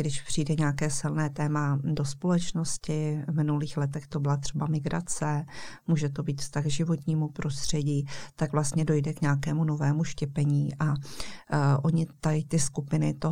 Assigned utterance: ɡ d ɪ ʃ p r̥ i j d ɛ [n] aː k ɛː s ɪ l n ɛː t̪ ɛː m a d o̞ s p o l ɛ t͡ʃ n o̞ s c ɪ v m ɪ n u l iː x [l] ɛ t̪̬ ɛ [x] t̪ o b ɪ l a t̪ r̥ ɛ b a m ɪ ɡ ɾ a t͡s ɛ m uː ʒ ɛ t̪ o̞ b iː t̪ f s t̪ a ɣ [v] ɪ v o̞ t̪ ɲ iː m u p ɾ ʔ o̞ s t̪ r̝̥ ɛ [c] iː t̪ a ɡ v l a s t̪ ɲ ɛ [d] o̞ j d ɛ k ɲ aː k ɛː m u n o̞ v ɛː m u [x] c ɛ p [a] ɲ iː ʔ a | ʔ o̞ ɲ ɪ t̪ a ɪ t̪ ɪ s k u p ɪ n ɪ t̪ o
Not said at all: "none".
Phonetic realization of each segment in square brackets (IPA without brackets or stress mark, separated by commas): ɲ, l, x, ʒ, ɟ, d, ʃ, ɛ